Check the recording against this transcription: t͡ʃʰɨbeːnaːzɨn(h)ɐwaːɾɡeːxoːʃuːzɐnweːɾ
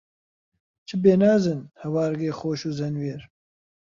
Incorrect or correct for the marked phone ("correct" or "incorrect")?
correct